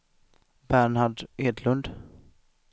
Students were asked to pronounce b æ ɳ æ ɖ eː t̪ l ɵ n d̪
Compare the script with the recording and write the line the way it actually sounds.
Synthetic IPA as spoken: b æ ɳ a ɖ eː d̪ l ɵ n d̪